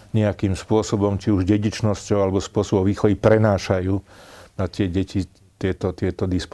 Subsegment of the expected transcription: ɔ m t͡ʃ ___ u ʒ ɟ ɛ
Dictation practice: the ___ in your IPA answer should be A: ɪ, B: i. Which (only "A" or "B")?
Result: B